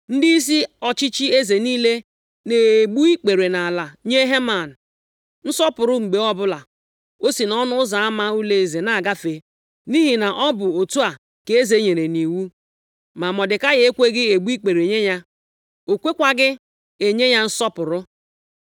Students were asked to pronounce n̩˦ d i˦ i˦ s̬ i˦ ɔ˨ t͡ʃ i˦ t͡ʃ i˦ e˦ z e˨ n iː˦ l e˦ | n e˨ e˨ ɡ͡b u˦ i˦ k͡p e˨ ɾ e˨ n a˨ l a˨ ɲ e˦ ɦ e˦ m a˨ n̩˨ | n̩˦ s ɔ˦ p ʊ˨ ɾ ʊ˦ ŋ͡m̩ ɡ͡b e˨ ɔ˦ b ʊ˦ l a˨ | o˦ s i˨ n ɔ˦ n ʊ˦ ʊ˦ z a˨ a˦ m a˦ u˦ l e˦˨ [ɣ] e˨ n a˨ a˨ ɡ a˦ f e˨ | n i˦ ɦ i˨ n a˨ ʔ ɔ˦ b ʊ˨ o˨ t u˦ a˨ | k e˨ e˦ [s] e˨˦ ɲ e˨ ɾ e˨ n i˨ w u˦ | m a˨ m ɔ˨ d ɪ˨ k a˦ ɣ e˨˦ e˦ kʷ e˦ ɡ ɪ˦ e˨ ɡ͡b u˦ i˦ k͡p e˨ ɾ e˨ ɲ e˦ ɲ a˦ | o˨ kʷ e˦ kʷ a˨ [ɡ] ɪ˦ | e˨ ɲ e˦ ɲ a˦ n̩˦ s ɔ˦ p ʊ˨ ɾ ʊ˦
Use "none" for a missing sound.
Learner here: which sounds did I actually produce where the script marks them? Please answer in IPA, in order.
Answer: z, z, ɡ

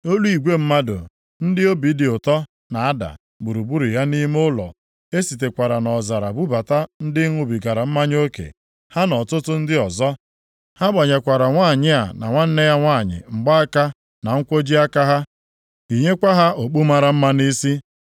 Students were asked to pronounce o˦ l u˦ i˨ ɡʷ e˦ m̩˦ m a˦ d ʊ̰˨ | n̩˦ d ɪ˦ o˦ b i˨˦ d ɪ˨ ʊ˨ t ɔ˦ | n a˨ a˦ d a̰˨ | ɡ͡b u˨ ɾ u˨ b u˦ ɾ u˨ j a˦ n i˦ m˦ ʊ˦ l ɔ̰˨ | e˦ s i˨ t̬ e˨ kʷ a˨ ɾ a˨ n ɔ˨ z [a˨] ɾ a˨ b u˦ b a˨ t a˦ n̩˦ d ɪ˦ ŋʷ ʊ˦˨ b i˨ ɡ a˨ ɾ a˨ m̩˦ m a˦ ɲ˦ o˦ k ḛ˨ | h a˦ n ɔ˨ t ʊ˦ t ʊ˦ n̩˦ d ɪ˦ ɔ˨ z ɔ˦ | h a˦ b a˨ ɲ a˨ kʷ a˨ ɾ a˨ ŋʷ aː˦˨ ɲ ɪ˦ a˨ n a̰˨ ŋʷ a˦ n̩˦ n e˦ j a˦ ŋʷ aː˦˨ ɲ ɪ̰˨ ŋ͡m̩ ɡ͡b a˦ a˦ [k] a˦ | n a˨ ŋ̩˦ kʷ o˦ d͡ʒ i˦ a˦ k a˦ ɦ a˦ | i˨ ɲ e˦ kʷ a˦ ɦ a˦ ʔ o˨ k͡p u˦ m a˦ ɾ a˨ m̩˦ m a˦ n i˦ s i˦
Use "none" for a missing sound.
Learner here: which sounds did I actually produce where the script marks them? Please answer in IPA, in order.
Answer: a˨, k

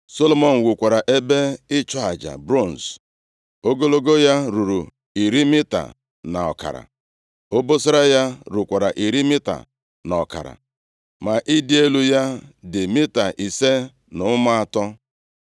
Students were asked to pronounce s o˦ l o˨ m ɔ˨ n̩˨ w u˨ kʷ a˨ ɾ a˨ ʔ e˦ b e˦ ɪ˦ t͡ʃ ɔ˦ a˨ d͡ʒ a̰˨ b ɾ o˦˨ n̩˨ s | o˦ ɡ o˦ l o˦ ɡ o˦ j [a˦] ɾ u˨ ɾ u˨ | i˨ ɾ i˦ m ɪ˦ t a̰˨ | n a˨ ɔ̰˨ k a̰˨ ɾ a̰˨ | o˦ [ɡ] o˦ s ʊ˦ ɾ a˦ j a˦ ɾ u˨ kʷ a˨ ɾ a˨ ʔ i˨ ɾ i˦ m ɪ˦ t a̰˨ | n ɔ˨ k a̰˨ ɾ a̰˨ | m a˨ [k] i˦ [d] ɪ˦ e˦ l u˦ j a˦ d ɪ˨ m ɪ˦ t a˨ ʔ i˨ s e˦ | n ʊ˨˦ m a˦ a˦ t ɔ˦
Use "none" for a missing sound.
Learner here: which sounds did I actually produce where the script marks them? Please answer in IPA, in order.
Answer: a˦, b, ʔ, d

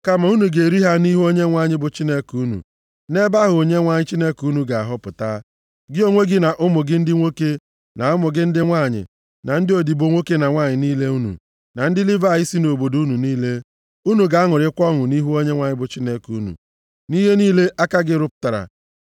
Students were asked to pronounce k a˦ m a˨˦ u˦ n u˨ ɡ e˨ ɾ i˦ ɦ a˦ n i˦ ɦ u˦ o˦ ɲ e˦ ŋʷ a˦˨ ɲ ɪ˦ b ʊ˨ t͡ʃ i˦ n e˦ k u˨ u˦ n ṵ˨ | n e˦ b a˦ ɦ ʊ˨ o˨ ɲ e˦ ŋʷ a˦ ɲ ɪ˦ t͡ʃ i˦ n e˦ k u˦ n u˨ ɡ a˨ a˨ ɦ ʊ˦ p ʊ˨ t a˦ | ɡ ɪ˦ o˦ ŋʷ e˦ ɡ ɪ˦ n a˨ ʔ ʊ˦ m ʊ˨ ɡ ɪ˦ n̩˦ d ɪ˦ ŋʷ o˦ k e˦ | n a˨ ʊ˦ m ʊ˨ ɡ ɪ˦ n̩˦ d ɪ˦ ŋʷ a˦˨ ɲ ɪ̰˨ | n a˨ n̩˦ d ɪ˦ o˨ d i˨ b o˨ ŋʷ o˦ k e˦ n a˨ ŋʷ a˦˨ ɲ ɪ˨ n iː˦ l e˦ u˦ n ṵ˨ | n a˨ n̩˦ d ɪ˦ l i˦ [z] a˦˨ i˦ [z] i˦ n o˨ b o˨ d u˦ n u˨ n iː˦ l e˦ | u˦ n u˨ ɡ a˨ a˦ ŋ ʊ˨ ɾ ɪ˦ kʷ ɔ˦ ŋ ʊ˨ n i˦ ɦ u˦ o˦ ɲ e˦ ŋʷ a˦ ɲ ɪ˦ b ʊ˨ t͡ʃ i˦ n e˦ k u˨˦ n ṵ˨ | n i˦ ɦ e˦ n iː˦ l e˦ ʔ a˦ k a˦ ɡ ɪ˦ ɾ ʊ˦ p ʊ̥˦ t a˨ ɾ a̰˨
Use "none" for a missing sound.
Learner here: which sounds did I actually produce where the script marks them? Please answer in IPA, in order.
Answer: v, s

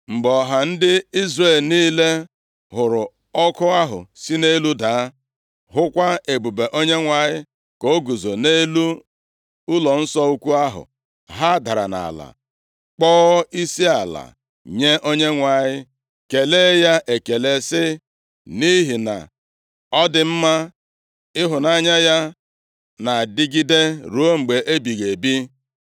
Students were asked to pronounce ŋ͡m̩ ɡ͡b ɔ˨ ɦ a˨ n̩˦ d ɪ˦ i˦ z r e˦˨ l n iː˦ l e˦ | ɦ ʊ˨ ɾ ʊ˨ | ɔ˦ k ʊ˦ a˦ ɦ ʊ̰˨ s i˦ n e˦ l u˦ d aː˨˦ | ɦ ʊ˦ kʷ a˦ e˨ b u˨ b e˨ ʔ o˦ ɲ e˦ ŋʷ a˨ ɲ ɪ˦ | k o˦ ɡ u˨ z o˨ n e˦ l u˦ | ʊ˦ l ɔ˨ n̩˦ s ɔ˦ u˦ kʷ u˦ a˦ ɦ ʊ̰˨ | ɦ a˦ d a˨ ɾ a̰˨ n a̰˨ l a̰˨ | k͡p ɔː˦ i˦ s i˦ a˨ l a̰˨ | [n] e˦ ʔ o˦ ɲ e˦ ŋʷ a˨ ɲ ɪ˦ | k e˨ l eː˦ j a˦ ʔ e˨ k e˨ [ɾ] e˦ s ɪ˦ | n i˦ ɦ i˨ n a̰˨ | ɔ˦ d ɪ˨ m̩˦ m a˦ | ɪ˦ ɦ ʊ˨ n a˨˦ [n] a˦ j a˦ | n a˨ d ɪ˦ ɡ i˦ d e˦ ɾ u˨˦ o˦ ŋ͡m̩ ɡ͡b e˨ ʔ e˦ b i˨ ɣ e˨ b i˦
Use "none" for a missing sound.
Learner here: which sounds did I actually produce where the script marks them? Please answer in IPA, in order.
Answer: ɲ, l, ɲ

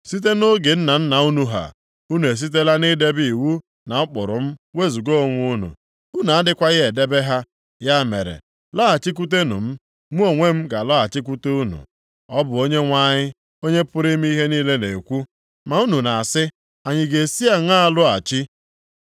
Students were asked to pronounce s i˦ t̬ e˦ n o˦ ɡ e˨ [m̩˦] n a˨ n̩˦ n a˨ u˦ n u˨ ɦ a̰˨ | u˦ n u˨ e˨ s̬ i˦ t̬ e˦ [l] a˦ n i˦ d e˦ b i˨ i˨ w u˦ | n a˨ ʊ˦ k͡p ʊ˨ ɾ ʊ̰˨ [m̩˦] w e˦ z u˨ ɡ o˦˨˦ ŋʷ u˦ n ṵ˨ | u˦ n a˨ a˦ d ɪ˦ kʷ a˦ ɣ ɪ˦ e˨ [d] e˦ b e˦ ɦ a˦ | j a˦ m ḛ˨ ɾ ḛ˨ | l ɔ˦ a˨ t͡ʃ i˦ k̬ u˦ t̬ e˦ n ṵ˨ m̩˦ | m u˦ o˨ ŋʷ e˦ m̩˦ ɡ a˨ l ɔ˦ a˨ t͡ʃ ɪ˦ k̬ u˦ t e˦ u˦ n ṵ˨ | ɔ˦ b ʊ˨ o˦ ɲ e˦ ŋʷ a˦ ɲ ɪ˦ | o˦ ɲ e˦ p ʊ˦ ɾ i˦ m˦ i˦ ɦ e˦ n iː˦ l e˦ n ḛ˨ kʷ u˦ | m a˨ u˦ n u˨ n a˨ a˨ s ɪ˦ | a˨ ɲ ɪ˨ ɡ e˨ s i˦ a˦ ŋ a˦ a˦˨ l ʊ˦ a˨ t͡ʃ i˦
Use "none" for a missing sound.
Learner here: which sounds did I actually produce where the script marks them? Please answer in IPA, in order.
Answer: n̩˦, l, m̩˦, d

